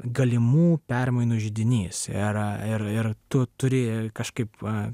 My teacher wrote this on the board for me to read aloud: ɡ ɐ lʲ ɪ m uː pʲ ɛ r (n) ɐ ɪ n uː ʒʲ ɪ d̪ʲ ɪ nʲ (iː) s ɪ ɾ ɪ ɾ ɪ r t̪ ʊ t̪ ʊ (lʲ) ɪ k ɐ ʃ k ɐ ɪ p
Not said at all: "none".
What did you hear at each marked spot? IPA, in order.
m, iː, ɾʲ

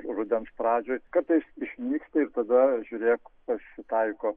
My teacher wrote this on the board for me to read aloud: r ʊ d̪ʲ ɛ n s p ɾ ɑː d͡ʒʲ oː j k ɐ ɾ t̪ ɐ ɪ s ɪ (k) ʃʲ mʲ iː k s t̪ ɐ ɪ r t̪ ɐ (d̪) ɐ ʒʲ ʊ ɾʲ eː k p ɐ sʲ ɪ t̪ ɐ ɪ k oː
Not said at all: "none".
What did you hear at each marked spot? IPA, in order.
none, d̪

